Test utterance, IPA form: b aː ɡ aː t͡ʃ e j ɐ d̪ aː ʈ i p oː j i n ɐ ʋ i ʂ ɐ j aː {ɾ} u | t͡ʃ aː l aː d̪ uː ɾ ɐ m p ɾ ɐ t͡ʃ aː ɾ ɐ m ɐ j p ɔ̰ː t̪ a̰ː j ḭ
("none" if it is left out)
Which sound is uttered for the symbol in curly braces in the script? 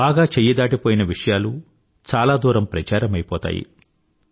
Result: l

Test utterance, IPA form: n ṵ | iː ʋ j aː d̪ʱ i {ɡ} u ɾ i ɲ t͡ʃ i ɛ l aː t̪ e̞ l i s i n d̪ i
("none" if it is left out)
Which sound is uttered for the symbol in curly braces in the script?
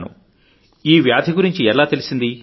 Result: ɡ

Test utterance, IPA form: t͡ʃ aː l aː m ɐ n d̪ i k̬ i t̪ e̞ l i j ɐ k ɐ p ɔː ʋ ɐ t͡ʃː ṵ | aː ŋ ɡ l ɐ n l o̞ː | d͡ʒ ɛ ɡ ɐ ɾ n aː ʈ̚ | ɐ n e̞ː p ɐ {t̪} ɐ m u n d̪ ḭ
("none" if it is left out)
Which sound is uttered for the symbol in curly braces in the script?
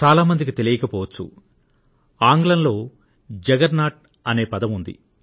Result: d̪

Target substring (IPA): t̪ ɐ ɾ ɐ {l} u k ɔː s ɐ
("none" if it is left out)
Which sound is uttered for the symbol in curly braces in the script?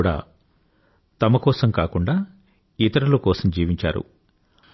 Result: l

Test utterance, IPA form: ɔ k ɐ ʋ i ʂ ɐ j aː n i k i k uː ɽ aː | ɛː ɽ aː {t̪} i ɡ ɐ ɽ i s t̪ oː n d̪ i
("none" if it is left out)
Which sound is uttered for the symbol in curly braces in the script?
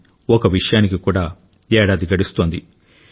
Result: d̪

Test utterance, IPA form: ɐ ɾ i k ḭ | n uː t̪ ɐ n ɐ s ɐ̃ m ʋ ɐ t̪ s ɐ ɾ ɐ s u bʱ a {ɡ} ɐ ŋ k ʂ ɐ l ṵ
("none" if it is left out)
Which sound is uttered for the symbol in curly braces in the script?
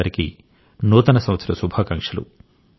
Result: k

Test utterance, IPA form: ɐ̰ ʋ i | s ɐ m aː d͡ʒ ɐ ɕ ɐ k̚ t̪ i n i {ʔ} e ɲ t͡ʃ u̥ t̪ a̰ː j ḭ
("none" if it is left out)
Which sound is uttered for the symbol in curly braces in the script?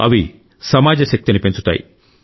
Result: p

